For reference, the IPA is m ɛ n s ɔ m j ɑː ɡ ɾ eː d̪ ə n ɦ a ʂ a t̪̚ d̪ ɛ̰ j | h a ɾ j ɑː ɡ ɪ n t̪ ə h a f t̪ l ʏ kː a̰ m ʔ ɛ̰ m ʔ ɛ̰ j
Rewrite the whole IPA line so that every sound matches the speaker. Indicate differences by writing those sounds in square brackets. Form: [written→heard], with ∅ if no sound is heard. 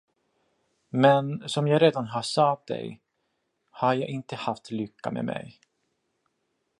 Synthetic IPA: m ɛ n s ɔ m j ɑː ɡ ɾ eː d̪ [ə→a] n ɦ a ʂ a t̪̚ d̪ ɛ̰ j | h a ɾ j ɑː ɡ ɪ n t̪ ə h a f t̪ l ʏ kː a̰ m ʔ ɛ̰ m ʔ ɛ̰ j